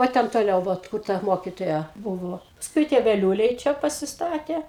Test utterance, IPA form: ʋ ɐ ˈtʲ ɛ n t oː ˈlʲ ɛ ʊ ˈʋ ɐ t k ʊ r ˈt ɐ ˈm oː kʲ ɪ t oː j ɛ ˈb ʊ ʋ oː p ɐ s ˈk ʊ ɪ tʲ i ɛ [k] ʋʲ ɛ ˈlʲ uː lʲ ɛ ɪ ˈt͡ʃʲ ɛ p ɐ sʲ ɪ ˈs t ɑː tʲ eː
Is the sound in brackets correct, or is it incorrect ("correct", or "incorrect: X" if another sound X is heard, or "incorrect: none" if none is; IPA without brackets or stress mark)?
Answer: incorrect: none